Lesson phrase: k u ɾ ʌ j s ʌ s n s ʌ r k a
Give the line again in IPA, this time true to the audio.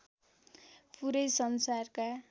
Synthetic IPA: p u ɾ ʌ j s ʌ n s a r k a